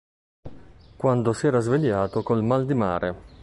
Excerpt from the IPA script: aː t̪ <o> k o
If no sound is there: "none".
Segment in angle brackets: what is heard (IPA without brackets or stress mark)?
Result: o